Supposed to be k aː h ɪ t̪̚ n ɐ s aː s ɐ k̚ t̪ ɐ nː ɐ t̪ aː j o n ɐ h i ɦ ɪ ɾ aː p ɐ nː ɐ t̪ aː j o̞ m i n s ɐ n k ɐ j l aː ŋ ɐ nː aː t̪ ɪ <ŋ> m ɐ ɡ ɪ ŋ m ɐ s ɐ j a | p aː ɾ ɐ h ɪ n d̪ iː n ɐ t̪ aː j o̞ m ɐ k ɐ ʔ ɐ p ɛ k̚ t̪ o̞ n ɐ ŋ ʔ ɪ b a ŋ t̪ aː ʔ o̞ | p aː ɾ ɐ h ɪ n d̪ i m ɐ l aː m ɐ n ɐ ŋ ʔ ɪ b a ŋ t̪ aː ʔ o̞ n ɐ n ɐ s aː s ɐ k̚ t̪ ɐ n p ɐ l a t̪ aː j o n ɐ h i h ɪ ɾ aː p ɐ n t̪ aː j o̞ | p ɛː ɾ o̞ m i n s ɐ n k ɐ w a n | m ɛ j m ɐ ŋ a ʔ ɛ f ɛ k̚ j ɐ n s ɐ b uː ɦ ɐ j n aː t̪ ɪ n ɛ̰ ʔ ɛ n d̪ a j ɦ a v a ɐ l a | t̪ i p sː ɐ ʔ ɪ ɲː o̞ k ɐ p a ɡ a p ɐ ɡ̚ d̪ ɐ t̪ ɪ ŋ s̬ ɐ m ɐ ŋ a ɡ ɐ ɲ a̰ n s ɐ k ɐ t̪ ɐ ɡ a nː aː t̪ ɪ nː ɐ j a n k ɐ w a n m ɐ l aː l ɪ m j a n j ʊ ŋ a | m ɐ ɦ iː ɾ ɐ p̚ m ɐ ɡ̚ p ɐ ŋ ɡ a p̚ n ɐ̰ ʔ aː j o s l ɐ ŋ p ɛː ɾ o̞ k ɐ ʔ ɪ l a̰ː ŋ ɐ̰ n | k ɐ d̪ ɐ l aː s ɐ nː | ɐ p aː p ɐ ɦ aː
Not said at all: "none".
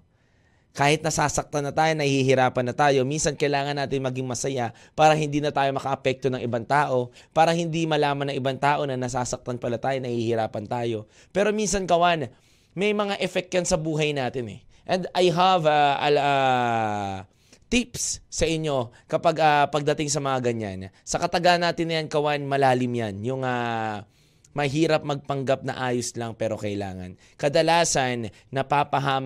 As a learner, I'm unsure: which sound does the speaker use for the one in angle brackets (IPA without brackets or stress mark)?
n